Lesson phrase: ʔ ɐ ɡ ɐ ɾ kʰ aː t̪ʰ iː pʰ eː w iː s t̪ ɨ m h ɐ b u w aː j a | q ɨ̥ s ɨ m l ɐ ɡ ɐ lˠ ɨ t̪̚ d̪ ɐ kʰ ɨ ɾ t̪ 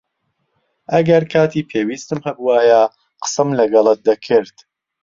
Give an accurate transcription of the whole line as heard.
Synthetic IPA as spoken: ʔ ɐ ɡ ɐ ɾ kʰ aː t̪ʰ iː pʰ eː w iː s t̪ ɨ m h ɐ b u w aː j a | q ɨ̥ s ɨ m l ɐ ɡ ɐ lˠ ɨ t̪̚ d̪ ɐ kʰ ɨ ɾ t̪